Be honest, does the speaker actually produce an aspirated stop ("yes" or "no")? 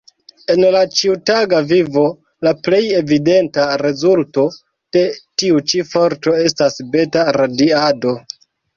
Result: no